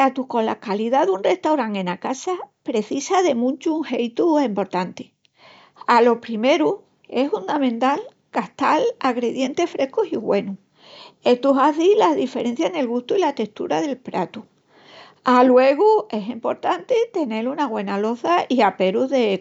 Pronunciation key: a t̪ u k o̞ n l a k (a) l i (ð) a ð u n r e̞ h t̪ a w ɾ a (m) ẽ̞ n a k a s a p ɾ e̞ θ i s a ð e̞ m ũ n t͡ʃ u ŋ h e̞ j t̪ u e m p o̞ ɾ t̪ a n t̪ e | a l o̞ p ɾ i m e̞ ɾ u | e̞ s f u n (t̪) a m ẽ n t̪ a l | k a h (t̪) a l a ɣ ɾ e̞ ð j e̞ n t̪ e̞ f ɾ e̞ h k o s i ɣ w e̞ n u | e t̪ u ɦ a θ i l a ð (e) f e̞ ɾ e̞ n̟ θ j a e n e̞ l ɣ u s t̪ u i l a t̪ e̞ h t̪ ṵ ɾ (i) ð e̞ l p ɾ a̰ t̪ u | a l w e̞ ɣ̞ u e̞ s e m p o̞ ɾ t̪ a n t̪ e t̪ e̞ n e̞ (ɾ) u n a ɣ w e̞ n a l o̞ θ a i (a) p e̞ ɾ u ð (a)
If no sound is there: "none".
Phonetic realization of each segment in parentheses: a, ð, ŋ, d̪, t̪, i, a, l, a, e

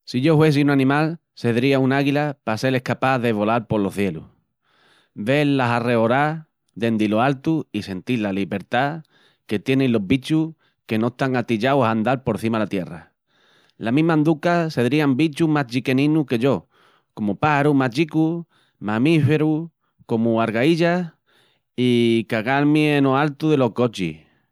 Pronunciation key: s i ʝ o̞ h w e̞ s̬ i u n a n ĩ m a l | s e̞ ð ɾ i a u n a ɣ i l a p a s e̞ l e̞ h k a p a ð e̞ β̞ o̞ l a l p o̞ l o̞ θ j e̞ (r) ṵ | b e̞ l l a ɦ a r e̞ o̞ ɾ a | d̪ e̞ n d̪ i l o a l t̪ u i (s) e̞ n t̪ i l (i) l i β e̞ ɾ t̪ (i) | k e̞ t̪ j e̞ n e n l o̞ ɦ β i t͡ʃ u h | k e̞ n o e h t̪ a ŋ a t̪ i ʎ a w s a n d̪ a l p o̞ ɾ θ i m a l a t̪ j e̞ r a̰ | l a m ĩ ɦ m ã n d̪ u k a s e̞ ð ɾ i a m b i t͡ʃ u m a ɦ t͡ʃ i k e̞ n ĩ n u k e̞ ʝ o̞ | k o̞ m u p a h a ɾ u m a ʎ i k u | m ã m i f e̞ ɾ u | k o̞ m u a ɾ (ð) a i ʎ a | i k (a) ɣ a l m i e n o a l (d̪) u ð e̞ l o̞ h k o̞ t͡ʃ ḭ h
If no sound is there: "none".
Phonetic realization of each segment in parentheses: l, s, a, a, ɣ, a, t̪

